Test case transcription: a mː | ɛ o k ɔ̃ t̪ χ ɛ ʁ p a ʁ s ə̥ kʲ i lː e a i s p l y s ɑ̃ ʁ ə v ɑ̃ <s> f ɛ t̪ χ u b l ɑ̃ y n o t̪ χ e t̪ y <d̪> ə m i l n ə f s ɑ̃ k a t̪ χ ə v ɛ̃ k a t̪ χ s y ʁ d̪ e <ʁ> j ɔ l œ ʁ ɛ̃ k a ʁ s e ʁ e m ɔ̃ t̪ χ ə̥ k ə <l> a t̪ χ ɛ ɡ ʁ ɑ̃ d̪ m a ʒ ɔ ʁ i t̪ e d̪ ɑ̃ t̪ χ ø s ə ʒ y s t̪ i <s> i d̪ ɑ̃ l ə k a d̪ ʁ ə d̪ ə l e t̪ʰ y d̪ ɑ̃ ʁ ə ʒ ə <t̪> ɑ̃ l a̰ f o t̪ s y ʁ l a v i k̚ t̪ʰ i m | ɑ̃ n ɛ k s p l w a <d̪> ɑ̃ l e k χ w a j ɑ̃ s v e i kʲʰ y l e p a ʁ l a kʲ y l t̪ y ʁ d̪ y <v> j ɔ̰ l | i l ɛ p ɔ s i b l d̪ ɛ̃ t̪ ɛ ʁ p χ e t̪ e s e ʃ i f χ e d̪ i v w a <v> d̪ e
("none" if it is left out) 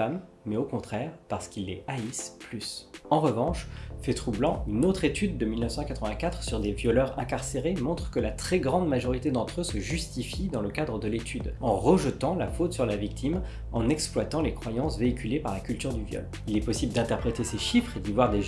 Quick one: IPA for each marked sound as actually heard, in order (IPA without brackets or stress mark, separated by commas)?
ʃ, d̪ː, v, l, f, t̪, t̪, v, ʁ